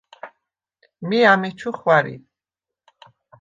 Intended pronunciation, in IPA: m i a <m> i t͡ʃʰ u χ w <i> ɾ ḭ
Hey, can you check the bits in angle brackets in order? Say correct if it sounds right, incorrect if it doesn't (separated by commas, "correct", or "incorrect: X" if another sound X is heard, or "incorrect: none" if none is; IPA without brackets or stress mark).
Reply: correct, incorrect: a